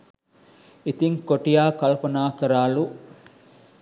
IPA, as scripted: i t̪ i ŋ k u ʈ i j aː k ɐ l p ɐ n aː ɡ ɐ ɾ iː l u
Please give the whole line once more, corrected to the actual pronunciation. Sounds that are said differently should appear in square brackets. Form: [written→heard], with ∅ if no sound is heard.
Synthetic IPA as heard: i t̪ i ŋ k [u→o] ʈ i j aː k ɐ l p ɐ n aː [ɡ→k] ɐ ɾ [iː→aː] l u